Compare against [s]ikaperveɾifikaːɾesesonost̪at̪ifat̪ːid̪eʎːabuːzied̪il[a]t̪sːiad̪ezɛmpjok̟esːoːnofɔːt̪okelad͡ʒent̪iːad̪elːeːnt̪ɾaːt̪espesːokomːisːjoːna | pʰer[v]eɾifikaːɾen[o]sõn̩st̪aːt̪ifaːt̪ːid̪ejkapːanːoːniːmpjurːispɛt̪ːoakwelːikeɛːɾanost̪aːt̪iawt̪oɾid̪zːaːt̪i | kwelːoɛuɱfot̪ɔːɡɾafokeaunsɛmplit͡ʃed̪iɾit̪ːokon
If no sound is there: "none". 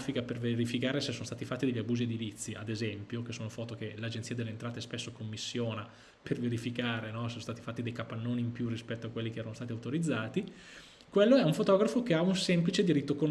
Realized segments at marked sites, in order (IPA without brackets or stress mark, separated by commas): f, i, v, ɔ